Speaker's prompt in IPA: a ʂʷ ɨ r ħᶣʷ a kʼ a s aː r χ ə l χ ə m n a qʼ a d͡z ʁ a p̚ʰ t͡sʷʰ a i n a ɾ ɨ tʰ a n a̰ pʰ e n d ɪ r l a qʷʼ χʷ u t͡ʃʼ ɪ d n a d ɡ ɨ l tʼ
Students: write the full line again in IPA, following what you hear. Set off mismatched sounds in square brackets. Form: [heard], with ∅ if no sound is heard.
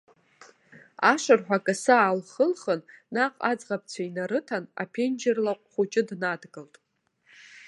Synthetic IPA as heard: a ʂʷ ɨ r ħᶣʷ a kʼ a s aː [l] χ ə l χ ə [n] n a qʼ a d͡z ʁ a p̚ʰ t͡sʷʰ a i n a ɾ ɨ tʰ a n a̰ pʰ e n [d͡ʒ] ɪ r l a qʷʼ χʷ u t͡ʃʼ ɪ d n a d ɡ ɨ l tʼ